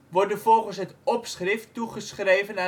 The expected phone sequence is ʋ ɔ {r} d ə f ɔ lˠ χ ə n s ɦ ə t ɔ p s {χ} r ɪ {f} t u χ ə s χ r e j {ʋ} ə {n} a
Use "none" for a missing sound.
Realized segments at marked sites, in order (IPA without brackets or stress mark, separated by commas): r, χ, f, v, n